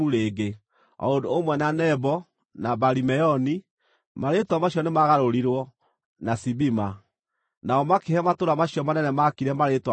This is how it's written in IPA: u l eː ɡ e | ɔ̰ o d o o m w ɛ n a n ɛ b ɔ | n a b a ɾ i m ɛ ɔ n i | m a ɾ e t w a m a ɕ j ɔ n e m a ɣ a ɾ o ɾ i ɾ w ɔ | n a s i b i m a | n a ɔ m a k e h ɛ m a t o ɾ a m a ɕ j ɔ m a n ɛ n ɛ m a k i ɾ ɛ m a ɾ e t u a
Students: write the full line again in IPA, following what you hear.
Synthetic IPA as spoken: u ɾ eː ɡ e | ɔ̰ o d o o m w ɛ n a n ɛ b ɔ | n a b a ɾ i m ɛ ɔ n i | m a ɾ e t w a m a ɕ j ɔ n e m a ɣ a ɾ o ɾ i ɾ w ɔ | n a s i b i m a | n a ɔ m a k e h ɛ m a t o ɾ a m a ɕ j ɔ m a n ɛ n ɛ m a k i ɾ ɛ m a ɾ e t w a